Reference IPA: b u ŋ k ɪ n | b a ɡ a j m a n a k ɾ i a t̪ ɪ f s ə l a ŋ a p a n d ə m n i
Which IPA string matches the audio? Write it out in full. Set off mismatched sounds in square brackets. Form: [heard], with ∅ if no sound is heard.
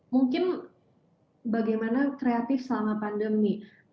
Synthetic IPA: [m] u ŋ k ɪ n | b a ɡ a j m a n a k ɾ [e] a t̪ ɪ f s ə l a [m] a p a n d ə m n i